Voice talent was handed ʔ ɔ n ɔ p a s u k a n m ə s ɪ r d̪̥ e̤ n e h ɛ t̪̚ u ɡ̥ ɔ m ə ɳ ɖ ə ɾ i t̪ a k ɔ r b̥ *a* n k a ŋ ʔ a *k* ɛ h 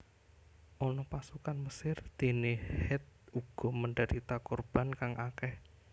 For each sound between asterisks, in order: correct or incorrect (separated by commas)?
correct, correct